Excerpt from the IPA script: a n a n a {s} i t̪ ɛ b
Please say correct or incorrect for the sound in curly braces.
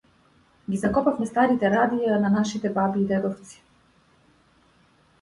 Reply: incorrect